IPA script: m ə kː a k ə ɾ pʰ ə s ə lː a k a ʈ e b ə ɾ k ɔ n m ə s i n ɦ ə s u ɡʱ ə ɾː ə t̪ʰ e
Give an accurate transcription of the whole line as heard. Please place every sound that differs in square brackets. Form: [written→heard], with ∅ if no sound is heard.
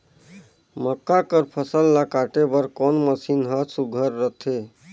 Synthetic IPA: m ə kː a k ə ɾ pʰ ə s ə lː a k a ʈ e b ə ɾ k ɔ n m ə s i n ɦ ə s u ɡʱ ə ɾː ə t̪ʰ e

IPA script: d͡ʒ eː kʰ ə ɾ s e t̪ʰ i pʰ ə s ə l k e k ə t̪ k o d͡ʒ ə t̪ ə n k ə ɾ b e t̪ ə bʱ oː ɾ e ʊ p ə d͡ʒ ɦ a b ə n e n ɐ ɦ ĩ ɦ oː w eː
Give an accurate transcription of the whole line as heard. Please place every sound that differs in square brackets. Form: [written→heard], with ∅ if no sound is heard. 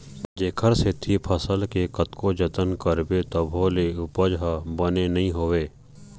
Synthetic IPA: d͡ʒ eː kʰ ə ɾ s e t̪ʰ i pʰ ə s ə l k e k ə t̪ k o d͡ʒ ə t̪ ə n k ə ɾ b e t̪ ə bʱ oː [ɾ→l] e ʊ p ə d͡ʒ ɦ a b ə n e n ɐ ɦ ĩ ɦ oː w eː

